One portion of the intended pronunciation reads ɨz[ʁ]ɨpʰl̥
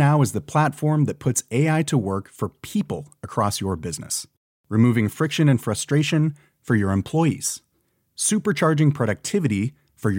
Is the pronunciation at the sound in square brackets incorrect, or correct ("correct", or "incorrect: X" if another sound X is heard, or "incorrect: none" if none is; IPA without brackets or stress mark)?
incorrect: ð